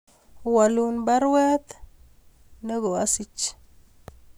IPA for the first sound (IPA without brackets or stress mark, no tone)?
w